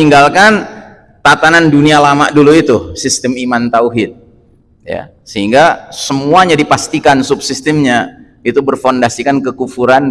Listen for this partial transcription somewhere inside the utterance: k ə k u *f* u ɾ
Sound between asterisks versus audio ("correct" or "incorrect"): correct